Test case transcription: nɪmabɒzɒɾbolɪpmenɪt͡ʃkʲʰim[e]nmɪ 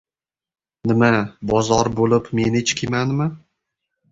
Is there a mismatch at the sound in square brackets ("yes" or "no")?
yes